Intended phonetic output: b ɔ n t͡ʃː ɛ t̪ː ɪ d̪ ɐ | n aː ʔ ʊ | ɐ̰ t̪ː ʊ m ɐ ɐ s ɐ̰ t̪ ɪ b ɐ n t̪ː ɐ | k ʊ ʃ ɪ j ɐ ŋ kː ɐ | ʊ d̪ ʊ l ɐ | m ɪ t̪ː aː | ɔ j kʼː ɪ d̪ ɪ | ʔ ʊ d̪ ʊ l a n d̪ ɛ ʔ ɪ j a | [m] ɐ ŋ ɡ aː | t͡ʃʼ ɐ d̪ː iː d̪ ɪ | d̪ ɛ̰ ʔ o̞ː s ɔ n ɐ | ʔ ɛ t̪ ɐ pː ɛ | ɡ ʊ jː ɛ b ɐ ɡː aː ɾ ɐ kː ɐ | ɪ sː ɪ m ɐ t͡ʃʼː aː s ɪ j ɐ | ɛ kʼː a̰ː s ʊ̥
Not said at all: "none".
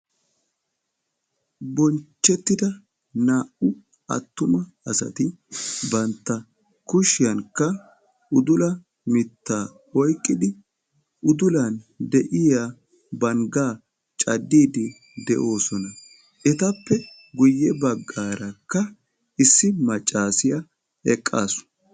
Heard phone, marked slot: b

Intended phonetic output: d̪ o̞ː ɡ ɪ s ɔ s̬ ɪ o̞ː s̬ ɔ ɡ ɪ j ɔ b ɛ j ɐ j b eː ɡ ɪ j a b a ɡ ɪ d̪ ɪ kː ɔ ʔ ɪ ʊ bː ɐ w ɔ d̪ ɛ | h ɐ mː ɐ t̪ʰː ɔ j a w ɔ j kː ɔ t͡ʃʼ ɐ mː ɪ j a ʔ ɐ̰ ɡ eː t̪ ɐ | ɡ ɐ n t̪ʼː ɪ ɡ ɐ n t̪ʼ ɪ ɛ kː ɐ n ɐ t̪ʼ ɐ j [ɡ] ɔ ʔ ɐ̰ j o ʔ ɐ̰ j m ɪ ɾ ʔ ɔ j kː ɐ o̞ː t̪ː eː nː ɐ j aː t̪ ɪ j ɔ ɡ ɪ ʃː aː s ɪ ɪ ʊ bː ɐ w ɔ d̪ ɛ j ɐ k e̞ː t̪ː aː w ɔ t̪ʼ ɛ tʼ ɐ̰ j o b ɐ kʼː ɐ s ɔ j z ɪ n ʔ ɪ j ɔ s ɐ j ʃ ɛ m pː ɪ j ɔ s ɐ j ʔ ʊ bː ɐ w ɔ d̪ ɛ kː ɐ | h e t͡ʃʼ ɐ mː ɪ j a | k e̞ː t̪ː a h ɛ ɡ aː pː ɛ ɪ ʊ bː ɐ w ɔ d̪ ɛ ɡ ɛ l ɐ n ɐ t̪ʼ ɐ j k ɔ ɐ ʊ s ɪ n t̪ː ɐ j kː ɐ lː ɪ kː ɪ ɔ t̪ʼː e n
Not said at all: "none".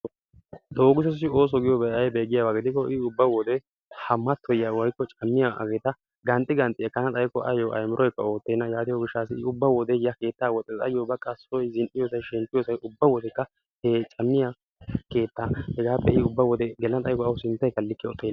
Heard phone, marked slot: k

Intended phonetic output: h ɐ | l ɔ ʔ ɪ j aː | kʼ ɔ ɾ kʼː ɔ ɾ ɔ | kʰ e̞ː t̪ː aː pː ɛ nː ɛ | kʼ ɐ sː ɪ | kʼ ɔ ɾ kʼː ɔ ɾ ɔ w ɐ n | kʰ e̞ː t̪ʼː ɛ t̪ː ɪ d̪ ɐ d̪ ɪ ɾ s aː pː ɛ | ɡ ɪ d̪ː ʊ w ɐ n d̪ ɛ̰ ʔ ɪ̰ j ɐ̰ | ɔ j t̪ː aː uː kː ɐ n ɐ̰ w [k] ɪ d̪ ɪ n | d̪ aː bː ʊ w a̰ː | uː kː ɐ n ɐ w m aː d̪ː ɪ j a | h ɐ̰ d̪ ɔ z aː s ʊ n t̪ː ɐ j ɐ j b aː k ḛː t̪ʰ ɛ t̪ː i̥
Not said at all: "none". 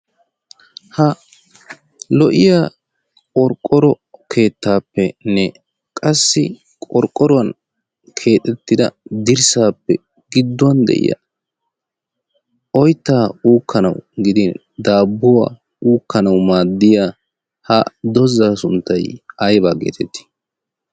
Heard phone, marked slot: ɡ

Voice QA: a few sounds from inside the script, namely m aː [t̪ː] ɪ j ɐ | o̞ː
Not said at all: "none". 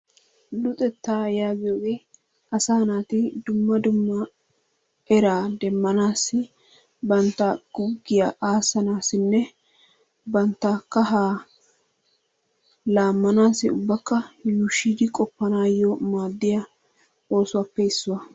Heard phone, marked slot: d̪ː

